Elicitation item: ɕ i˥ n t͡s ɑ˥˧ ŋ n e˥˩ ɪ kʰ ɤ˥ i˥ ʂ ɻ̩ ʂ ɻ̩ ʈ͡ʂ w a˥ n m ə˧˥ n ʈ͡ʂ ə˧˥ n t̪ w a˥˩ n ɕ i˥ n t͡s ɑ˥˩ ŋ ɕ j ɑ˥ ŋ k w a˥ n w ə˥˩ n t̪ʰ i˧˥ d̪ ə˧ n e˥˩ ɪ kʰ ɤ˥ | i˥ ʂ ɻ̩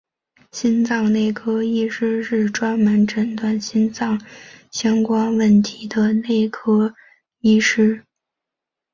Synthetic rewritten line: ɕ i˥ n t͡s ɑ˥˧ ŋ n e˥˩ ɪ kʰ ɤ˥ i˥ ʂ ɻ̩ ʂ ɻ̩ ʈ͡ʂ w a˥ n m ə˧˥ n ʈ͡ʂ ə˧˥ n t̪ w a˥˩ n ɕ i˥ n t͡s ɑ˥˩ ŋ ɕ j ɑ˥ ŋ k w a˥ n w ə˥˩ n t̪ʰ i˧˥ d̪ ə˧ n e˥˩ ɪ kʰ ɤ˥ | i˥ ʂ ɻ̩